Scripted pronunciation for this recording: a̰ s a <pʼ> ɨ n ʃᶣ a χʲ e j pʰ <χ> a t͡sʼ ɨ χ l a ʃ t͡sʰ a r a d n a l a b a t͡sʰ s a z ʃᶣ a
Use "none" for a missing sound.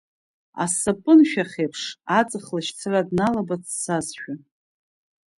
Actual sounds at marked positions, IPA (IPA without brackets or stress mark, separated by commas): pʼ, ʂ